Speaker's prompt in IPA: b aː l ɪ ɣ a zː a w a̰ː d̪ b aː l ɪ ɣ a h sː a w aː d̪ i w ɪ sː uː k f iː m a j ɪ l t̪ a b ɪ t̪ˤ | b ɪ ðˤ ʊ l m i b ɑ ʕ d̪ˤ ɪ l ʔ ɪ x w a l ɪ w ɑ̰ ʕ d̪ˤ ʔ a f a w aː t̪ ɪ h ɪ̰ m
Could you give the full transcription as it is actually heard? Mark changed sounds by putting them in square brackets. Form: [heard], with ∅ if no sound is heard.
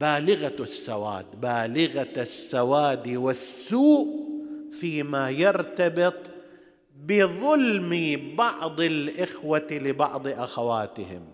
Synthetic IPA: b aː l ɪ ɣ a [sː] a w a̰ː d̪ b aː l ɪ ɣ a [∅] sː a w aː d̪ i w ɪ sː uː [ʔ] f iː m a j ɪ [ɾ] t̪ a b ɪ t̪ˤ | b ɪ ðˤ ʊ l m i b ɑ ʕ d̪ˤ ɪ l ʔ ɪ x w a l ɪ [b] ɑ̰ ʕ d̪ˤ ʔ a [x] a w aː t̪ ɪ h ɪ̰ m